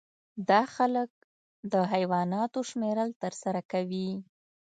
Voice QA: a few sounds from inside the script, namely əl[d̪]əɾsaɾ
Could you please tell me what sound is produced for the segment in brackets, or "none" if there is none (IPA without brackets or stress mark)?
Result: t̪